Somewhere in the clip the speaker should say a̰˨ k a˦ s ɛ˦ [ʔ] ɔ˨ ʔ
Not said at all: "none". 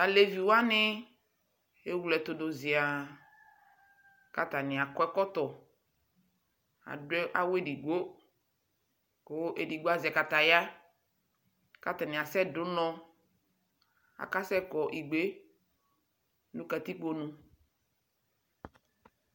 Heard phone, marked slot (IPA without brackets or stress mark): k